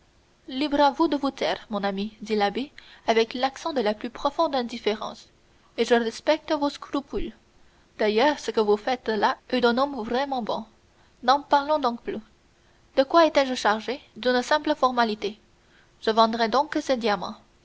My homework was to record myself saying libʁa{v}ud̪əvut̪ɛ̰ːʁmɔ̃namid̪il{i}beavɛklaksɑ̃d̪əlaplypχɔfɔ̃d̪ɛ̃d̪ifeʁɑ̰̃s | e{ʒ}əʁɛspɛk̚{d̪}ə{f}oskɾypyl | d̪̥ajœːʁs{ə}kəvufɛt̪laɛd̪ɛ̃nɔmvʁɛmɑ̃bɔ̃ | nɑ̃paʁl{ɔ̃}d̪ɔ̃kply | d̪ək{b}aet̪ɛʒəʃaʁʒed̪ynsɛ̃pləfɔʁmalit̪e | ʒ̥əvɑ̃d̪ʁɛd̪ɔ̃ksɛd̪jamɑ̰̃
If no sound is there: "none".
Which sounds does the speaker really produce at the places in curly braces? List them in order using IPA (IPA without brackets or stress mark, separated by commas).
v, a, ʒ, t̪, v, ə, ɔ̃, w